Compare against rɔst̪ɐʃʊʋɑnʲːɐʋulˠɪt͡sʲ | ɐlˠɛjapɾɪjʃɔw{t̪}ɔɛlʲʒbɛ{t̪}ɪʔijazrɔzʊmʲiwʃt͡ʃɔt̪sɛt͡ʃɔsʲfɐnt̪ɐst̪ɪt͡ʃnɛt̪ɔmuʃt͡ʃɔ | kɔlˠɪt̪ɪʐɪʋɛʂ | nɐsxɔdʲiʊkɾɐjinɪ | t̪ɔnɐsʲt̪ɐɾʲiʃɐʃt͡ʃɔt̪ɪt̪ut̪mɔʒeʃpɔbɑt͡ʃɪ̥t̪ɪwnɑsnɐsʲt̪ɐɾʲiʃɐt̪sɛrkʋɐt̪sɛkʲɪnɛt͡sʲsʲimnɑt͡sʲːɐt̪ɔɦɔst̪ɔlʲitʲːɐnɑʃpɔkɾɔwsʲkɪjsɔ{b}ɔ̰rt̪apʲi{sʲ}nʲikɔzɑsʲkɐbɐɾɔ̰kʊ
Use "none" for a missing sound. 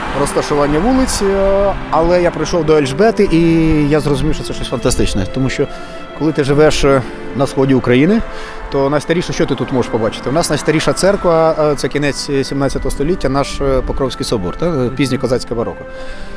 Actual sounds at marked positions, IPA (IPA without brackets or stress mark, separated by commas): d̪, t̪, b, zʲ